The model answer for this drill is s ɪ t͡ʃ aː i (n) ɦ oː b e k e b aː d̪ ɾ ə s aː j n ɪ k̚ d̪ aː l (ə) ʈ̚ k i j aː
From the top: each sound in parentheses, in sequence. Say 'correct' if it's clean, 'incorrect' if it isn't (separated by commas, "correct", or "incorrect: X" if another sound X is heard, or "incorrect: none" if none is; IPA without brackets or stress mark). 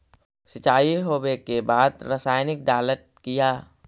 incorrect: none, correct